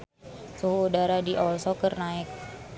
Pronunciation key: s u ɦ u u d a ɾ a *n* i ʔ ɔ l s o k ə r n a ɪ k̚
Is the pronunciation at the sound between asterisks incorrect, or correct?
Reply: incorrect: d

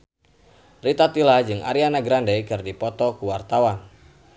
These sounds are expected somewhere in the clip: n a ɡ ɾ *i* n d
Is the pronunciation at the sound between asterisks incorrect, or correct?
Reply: incorrect: a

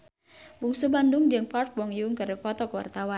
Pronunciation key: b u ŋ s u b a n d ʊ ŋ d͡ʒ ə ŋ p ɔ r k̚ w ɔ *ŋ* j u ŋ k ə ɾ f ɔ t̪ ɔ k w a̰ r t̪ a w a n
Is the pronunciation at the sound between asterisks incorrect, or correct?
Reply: correct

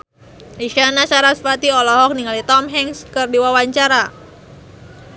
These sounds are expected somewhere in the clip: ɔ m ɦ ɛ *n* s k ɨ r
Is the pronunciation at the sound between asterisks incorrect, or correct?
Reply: incorrect: ŋ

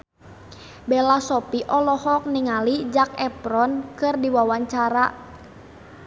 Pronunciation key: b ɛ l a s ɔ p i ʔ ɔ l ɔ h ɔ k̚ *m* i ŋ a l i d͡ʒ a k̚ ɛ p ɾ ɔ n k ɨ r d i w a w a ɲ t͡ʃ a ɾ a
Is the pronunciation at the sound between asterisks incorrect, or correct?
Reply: incorrect: n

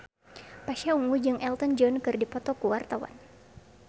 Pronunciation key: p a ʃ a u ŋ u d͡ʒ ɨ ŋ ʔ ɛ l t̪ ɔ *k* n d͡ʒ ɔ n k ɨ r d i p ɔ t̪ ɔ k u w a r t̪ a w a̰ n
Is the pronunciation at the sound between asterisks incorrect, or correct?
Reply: incorrect: none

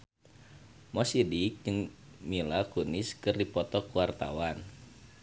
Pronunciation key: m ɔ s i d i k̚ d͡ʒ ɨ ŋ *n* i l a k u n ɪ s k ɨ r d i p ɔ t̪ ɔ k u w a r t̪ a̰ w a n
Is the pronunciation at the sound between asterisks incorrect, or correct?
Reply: incorrect: m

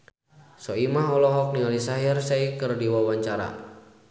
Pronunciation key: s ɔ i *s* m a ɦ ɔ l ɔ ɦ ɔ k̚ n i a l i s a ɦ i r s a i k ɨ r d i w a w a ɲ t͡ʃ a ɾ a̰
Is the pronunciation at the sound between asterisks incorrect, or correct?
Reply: incorrect: none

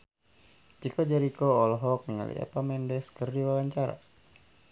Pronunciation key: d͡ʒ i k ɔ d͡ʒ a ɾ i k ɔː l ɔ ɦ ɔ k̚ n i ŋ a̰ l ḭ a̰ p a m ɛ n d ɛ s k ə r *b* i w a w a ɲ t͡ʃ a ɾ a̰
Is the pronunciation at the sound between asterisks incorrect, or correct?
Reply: incorrect: d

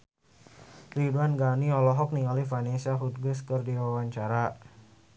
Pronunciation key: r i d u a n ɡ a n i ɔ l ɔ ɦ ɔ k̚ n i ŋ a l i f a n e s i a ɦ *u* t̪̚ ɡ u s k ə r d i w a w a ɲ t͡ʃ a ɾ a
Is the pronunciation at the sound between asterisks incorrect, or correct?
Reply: correct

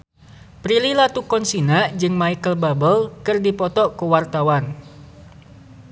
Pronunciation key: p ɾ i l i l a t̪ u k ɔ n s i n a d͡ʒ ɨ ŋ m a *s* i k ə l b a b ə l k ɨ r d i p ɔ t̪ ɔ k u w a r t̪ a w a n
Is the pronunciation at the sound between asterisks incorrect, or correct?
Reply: incorrect: none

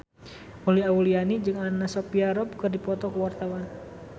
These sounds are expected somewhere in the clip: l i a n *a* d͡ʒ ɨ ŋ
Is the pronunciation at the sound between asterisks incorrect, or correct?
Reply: incorrect: i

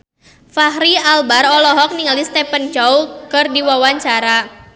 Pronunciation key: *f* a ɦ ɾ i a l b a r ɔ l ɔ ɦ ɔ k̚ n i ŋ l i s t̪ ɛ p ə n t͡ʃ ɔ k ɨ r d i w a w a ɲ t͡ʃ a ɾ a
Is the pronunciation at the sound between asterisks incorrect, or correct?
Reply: correct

